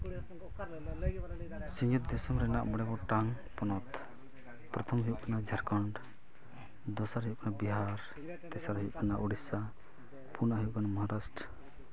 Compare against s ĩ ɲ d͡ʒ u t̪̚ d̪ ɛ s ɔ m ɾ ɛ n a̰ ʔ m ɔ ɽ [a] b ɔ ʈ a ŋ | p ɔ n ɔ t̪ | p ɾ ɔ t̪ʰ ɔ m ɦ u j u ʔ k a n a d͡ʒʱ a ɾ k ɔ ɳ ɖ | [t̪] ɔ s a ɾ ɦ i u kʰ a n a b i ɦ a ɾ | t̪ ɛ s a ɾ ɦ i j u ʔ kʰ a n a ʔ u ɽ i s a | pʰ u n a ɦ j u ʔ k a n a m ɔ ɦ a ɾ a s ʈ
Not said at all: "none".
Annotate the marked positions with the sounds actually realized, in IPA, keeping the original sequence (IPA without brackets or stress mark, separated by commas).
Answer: ɛ, d̪